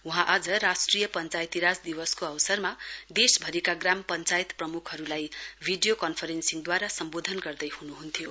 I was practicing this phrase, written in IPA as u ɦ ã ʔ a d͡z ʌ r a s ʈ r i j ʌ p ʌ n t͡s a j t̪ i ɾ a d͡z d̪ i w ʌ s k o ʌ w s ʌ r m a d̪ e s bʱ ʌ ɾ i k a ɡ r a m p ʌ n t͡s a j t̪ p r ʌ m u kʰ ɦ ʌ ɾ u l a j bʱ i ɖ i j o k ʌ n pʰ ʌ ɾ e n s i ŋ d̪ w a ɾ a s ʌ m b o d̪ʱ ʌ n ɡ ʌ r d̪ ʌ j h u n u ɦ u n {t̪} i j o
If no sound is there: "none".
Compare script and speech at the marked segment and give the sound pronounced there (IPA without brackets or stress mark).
t̪ʰ